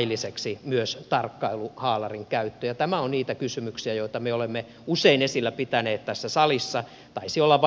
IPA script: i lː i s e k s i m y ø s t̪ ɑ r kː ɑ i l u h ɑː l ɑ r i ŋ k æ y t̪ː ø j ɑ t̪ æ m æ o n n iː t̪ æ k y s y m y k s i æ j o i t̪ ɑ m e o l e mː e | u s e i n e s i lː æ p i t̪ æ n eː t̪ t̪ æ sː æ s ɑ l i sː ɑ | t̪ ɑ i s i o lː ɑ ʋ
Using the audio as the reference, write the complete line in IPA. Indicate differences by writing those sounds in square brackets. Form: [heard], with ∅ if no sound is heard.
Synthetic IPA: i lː i s e k s i m y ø s t̪ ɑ r kː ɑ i l u h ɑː l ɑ r i ŋ k æ y t̪ː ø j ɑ t̪ æ m æ o n n iː t̪ æ k y s y m y k s i æ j o i t̪ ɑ m e o l e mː e | u s e i n e s i lː æ p i t̪ æ n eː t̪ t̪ æ sː æ s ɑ l i sː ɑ | t̪ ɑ i s i o lː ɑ ʋ

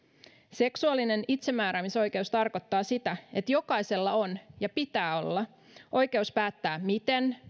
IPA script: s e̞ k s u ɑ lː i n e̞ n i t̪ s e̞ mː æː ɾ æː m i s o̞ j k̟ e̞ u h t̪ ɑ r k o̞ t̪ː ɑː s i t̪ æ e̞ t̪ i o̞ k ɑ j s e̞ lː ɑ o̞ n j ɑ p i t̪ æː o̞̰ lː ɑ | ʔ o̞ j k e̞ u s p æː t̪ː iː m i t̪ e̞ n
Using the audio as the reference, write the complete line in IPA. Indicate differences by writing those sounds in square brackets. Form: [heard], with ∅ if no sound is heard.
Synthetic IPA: s e̞ k s u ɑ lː i n e̞ n i t̪ s e̞ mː æː ɾ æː m i s o̞ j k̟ e̞ u [s] t̪ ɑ r k o̞ t̪ː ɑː s i t̪ æ e̞ t̪ [j] o̞ k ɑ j s e̞ lː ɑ o̞ n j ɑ p i t̪ æː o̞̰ lː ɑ | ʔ o̞ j k e̞ u s p æː t̪ː [æː] m i t̪ e̞ n

